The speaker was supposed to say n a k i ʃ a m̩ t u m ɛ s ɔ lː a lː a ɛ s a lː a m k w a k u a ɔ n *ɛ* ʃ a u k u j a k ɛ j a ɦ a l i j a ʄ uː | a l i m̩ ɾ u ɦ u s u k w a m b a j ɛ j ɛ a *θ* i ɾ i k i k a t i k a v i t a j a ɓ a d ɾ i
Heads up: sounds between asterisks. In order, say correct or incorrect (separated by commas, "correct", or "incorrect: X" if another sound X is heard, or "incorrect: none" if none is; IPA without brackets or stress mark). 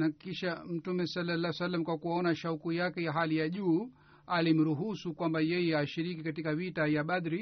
incorrect: a, incorrect: ʃ